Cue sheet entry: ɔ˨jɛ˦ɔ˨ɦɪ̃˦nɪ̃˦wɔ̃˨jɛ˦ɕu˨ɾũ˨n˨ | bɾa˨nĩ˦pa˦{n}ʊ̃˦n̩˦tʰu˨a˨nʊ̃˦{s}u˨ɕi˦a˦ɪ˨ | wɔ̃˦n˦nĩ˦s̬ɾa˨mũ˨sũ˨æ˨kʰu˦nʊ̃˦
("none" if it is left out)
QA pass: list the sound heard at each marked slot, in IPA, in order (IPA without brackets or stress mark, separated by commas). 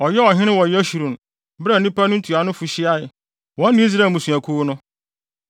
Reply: n, f